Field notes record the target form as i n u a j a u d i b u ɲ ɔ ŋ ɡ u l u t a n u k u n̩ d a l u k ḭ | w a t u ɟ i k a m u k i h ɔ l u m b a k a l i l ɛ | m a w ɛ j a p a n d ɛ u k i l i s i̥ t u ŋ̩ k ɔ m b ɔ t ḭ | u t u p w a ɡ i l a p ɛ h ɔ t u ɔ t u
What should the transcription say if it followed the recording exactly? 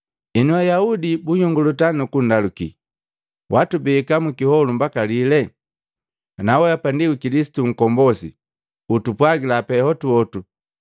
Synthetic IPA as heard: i n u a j a u d i b u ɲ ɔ ŋ ɡ u l u t a n u k u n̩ d a l u k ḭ | w a t u b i k a m u k i h ɔ l u m b a k a l i l ɛ | n a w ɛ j a p a n d i u k i l i s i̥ t u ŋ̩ k ɔ m b ɔ s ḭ | u t u p w a ɡ i l a p ɛ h ɔ t u ɔ t u